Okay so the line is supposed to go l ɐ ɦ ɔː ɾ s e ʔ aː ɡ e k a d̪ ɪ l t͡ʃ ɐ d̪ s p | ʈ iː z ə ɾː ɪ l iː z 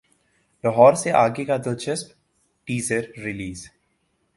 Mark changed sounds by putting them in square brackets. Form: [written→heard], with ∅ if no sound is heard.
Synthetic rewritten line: l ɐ ɦ ɔː ɾ s e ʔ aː ɡ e k a d̪ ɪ l t͡ʃ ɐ [d̪→∅] s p | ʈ iː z ə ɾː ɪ l iː z